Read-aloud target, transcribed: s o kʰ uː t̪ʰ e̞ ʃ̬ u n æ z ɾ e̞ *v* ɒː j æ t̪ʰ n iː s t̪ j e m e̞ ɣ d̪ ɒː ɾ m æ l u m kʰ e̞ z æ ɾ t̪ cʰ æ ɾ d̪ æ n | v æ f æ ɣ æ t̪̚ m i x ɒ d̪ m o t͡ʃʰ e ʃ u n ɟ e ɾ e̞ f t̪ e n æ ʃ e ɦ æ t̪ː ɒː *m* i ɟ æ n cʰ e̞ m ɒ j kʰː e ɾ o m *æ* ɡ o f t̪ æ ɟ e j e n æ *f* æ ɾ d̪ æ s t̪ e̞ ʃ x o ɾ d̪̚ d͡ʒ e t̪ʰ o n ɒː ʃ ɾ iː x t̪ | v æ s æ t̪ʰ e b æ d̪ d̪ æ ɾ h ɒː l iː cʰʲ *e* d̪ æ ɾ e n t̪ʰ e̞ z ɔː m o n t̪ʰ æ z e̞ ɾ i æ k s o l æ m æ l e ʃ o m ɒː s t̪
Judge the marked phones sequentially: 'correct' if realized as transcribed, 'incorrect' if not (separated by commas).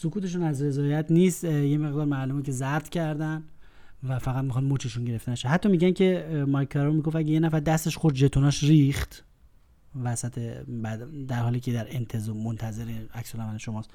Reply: incorrect, correct, incorrect, correct, correct